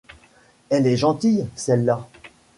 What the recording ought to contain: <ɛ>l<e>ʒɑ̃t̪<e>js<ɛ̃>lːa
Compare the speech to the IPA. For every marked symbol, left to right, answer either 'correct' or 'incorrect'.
correct, incorrect: ɛ, incorrect: i, incorrect: ɛ

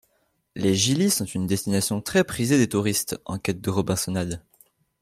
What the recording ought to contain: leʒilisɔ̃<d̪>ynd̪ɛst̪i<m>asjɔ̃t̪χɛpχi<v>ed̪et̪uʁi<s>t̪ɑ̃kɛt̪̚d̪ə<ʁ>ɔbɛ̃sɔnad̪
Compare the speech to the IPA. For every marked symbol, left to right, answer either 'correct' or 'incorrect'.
incorrect: t̪, incorrect: n, incorrect: z, correct, correct

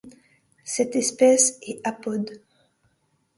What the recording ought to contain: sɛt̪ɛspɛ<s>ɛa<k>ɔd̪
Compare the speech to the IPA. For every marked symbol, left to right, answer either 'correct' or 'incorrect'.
correct, incorrect: p

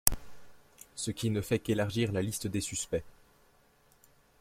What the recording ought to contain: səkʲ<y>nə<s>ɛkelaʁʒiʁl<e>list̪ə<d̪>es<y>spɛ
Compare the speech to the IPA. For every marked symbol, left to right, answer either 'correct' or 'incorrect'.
incorrect: i, incorrect: f, incorrect: a, correct, correct

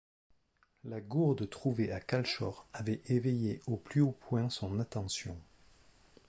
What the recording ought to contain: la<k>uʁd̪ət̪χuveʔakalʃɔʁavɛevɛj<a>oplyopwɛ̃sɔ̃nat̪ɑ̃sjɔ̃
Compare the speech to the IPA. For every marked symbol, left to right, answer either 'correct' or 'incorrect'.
incorrect: ɡ, incorrect: e

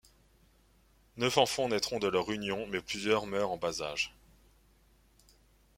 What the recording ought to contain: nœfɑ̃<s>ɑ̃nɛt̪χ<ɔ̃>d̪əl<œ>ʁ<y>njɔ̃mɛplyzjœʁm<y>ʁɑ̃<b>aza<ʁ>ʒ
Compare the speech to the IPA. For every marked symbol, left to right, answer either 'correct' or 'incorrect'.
incorrect: f, correct, correct, correct, incorrect: œ, correct, incorrect: none

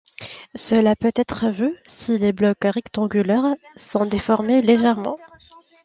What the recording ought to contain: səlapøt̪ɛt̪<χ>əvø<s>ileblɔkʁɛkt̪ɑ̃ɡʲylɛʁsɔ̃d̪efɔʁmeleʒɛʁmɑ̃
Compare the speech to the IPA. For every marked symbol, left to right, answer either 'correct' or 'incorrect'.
correct, correct

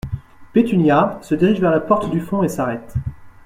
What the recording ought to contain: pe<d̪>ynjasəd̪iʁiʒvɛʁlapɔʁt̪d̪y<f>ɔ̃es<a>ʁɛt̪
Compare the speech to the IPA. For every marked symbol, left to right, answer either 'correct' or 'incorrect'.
incorrect: t̪, correct, correct

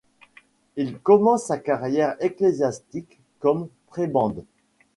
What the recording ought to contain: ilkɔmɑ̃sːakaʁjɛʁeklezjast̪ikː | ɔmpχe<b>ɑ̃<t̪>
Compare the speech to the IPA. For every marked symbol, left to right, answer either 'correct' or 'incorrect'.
correct, incorrect: d̪

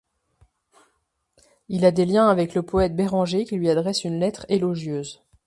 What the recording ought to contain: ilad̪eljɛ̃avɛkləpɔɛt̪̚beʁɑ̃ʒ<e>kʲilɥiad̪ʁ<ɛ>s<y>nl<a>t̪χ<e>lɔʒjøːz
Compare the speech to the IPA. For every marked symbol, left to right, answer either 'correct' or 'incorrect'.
correct, correct, correct, incorrect: ɛ, correct

